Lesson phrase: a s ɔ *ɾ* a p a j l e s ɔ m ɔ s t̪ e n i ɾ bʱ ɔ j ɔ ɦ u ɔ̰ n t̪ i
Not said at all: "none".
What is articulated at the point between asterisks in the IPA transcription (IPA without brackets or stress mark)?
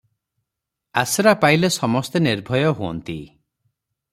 ɾ